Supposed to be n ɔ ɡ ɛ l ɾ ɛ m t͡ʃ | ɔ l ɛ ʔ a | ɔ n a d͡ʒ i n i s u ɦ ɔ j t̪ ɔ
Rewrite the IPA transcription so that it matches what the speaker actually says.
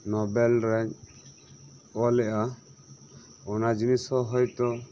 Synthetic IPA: n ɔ b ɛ l ɾ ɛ ɲ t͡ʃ | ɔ l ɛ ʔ a | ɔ n a d͡ʒ i n i s ɔ ɦ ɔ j t̪ ɔ